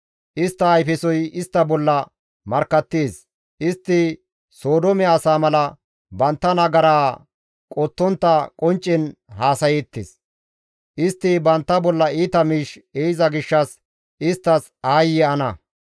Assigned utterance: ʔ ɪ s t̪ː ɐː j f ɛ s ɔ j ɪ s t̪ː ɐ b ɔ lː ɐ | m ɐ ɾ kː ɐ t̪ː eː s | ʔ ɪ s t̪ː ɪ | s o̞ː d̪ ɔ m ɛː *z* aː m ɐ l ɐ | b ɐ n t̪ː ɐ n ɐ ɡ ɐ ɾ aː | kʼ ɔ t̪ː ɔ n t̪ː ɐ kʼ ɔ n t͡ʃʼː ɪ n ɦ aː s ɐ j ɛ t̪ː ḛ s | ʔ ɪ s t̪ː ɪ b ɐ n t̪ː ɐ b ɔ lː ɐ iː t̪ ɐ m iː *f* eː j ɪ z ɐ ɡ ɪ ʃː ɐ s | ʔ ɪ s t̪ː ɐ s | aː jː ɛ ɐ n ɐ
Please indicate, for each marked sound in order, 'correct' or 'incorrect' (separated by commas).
incorrect, incorrect